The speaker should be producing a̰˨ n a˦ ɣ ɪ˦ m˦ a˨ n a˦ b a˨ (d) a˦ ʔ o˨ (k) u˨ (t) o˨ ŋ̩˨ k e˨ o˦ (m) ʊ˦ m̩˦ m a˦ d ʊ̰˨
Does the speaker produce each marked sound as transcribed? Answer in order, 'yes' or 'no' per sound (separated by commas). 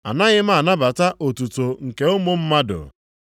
no, no, yes, yes